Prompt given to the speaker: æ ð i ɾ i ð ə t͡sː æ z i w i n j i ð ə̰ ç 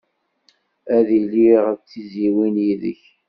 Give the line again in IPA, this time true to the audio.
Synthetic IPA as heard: æ ð i l i ʁ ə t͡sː i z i w i n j i ð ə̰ ç